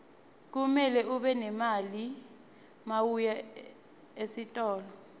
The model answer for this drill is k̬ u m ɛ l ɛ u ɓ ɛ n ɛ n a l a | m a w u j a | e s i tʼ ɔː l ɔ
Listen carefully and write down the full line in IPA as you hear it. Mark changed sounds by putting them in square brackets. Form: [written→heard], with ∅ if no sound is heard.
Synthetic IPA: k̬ u m ɛ l ɛ u ɓ ɛ n ɛ [n→m] a l [a→i] | m a w u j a | e s i tʼ ɔː l ɔ